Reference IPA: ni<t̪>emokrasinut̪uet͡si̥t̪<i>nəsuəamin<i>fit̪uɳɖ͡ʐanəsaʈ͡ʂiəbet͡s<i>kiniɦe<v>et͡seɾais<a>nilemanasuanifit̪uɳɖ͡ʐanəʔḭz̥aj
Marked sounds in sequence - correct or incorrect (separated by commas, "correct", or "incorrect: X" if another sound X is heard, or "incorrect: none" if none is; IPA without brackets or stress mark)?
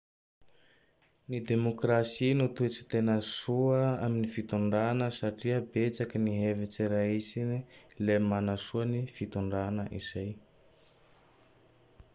incorrect: d̪, incorrect: e, correct, incorrect: a, correct, incorrect: i